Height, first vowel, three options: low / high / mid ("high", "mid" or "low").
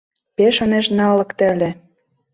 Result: mid